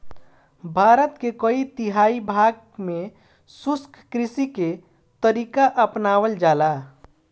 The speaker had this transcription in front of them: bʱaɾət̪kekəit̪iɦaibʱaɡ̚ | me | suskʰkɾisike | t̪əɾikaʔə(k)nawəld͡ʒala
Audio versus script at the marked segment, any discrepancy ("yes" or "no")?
yes